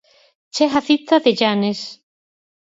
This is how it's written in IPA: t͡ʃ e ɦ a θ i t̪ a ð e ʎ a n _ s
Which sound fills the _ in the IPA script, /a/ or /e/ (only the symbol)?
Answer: e